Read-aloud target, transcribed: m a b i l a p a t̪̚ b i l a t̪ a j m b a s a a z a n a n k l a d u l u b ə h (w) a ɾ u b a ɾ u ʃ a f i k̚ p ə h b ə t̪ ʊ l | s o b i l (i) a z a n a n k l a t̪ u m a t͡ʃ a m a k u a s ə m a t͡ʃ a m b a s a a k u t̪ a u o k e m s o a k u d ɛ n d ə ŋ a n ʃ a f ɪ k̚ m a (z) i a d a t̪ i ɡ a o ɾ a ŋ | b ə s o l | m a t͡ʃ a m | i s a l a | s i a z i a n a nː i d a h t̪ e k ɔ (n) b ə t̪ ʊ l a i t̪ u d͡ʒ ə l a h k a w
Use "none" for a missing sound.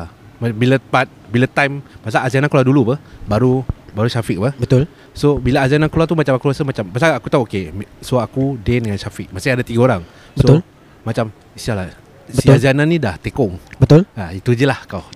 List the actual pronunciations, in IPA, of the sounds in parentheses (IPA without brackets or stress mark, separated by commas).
b, a, s, ŋ